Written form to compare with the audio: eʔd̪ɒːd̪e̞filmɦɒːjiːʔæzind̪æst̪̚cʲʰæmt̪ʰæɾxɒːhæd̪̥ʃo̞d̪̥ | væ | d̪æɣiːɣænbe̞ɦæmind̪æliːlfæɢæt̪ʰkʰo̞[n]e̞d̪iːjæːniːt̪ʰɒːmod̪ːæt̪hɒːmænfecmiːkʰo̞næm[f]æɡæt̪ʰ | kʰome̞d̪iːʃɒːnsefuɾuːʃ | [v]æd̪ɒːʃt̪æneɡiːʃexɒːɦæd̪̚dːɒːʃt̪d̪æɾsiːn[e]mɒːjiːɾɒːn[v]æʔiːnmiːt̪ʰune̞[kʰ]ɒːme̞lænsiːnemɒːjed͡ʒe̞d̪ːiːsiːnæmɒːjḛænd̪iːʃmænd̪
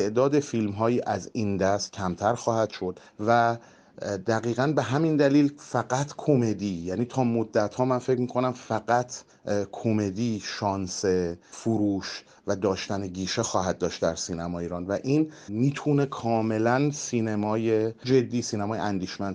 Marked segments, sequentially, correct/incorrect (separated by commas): incorrect, correct, correct, incorrect, correct, correct